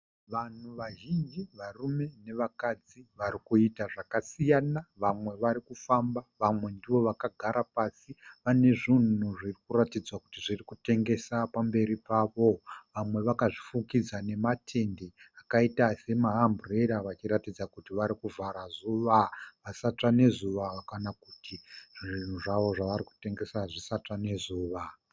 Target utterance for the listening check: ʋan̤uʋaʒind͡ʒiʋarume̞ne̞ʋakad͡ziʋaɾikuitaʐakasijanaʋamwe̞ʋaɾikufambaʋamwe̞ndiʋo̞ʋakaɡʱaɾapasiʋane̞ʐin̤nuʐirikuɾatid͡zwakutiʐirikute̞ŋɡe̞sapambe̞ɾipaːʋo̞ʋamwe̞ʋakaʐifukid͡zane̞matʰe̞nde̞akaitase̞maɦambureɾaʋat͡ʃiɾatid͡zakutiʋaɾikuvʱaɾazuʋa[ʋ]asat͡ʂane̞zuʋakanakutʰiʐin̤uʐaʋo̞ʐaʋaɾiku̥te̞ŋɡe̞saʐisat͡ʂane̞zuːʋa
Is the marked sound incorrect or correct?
correct